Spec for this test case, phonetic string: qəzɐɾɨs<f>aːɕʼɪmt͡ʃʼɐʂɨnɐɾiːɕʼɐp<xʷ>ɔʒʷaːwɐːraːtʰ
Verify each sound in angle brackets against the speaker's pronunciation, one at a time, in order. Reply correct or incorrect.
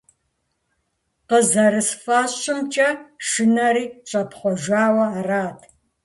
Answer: correct, incorrect

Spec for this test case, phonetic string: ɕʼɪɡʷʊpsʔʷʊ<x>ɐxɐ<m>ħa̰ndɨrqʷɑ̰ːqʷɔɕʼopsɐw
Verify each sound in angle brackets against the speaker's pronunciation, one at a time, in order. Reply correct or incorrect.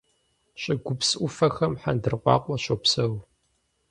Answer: incorrect, correct

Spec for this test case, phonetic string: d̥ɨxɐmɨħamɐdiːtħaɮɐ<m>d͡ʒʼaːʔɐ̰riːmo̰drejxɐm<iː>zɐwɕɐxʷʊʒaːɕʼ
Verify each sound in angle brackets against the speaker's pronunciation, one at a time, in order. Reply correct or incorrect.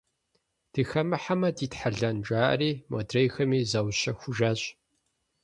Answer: incorrect, correct

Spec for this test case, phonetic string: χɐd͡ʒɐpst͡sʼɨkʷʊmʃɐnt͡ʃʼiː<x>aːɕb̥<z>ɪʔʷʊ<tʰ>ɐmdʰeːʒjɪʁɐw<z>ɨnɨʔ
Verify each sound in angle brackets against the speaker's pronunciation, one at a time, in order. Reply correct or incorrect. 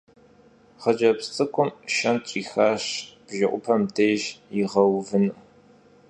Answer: correct, incorrect, incorrect, incorrect

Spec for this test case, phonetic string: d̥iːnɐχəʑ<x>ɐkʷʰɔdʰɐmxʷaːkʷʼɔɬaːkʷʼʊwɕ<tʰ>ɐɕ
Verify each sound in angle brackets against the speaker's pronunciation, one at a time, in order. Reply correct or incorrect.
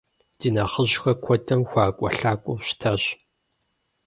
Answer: correct, correct

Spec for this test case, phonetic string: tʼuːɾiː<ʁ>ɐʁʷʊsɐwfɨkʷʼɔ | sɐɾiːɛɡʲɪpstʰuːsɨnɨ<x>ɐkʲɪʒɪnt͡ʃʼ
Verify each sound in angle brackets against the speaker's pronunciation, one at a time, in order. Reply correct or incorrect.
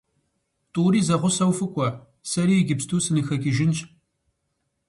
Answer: incorrect, correct

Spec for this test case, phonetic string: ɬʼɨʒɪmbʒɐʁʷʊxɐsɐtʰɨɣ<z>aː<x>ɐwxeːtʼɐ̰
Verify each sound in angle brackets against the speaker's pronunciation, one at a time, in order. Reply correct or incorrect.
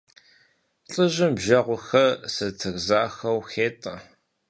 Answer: correct, correct

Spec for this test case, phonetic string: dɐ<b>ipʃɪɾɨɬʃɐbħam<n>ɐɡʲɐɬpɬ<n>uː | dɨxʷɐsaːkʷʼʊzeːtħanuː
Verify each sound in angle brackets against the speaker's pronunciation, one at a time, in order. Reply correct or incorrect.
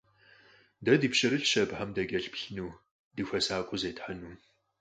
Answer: incorrect, incorrect, correct

